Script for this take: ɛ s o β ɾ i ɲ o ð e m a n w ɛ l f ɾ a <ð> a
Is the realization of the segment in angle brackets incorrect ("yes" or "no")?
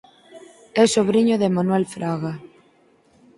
yes